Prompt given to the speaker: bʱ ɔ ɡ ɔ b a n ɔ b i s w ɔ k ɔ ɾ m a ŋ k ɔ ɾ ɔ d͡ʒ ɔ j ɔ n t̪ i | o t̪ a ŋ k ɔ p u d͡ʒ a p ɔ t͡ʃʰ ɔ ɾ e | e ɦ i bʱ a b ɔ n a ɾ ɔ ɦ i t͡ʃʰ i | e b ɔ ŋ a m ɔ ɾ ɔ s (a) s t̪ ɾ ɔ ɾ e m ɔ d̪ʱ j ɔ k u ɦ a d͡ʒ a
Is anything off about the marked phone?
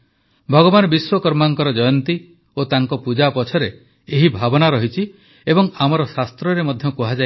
no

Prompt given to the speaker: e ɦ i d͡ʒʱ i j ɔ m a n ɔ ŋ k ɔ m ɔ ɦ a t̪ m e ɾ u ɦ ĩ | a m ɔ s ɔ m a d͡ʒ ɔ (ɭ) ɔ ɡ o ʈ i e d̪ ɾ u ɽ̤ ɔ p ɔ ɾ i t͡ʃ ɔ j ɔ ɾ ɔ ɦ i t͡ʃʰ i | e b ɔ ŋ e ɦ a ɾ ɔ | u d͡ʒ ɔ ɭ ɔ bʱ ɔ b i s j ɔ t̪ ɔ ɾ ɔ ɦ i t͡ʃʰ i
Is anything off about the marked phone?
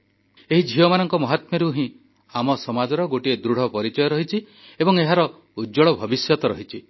yes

